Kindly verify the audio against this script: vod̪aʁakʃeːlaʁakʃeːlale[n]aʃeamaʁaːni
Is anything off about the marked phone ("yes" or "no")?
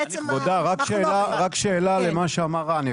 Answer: yes